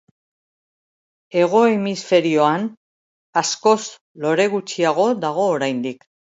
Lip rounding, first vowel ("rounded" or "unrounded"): unrounded